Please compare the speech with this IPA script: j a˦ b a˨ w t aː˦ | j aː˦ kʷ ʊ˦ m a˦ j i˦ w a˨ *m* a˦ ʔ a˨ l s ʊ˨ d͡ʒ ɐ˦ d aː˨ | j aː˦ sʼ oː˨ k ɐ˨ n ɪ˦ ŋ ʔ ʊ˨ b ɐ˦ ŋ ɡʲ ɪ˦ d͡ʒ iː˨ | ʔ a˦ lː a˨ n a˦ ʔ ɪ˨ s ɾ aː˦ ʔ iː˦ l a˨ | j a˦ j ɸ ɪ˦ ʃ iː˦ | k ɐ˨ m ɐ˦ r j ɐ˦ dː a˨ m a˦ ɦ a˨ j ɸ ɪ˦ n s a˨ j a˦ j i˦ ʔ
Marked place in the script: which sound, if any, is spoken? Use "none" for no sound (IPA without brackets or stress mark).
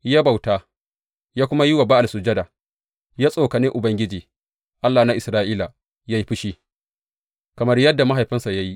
b